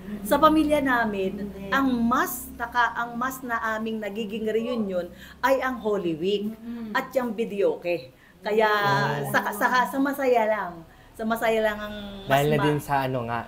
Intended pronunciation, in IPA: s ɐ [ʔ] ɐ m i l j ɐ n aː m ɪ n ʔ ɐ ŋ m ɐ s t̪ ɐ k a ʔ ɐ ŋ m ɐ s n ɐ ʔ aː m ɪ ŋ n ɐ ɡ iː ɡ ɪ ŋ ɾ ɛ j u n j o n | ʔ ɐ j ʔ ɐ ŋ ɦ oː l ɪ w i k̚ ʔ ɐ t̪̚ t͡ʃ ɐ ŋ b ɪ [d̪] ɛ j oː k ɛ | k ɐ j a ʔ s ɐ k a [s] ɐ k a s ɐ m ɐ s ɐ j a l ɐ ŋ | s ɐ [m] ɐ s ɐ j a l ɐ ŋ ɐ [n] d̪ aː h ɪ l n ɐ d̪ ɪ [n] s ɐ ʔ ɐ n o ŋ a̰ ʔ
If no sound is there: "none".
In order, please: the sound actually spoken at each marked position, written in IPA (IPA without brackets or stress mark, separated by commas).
p, d̪, s, m, ŋ, n